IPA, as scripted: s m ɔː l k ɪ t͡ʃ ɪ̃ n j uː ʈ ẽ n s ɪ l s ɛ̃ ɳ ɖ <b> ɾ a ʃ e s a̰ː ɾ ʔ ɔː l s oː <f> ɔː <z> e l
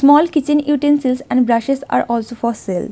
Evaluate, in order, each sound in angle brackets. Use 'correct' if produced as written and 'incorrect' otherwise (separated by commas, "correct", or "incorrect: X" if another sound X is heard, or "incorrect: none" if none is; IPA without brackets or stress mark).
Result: correct, correct, incorrect: s